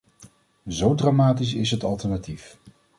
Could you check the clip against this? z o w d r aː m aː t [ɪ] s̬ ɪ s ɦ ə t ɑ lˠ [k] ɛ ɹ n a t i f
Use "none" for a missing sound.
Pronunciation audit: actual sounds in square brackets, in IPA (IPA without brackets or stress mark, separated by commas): i, t